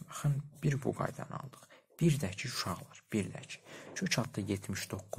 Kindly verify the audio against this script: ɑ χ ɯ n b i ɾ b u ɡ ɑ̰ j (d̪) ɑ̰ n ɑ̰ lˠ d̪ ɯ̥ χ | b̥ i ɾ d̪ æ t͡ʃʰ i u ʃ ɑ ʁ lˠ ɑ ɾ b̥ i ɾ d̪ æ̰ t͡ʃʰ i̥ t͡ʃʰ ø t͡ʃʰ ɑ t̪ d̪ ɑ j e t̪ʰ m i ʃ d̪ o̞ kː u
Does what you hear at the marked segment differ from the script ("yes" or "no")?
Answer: no